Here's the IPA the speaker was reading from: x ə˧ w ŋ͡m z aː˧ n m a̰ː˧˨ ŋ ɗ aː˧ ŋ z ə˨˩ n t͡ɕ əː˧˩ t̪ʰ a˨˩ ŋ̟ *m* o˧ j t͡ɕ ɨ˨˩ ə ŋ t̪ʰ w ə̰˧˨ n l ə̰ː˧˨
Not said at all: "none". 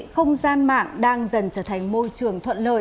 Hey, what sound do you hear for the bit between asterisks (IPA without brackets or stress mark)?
m